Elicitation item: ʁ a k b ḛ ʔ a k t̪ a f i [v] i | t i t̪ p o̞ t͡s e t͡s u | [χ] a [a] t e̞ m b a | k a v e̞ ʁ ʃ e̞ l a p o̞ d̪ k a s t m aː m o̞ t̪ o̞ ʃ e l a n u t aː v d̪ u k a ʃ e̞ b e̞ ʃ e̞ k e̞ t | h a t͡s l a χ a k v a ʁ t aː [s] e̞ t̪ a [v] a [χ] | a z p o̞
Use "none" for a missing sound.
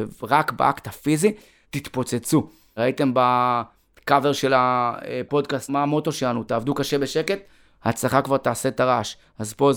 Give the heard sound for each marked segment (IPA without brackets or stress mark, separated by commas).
z, ʁ, i, s, ʁ, ʃ